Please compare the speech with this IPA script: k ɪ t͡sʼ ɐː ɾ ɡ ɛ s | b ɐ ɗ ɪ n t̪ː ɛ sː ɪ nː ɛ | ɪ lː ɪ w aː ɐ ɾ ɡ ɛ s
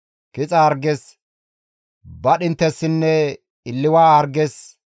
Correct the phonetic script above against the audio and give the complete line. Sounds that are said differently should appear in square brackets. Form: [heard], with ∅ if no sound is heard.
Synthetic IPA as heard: k ɪ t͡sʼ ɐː ɾ ɡ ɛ s | b ɐ ɗ ɪ n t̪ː ɛ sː ɪ nː ɛ | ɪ lː ɪ w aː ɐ ɾ ɡ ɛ s